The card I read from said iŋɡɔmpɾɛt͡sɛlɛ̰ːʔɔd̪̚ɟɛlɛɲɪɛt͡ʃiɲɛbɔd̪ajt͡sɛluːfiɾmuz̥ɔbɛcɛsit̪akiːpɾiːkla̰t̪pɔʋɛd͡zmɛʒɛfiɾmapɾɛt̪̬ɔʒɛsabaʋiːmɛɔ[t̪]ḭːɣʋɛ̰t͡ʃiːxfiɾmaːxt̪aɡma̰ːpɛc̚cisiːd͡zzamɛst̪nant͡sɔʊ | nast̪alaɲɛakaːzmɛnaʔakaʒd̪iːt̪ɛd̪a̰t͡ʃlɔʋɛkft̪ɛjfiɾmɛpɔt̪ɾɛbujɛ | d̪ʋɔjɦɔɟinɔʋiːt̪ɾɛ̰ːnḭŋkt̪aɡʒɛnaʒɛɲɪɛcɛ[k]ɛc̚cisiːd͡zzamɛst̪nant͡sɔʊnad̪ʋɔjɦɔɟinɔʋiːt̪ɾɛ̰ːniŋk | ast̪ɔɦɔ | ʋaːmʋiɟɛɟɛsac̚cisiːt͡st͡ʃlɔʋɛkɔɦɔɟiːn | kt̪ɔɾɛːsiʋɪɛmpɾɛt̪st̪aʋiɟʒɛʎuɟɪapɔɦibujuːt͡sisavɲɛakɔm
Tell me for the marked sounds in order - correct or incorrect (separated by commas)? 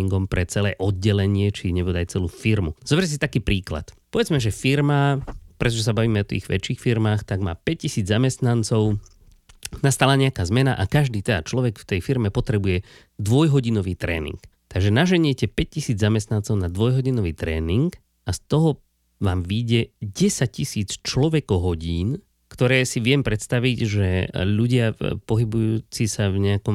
correct, incorrect